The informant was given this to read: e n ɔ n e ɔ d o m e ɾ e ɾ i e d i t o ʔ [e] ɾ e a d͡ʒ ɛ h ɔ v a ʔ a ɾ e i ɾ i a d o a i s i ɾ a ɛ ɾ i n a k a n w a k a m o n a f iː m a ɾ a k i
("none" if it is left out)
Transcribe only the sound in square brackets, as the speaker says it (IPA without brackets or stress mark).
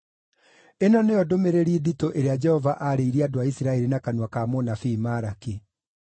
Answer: e